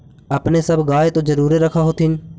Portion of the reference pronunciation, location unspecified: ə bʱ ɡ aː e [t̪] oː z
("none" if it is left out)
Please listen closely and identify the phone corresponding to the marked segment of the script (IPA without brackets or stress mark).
t̪